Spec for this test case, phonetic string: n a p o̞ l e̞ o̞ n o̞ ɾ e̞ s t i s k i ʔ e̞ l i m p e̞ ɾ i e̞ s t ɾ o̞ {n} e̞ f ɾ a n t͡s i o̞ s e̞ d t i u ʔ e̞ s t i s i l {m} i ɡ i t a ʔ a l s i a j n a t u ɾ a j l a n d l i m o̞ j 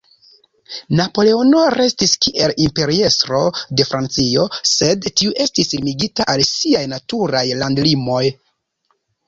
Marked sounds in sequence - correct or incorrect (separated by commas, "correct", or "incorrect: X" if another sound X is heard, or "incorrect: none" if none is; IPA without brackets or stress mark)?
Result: incorrect: d, correct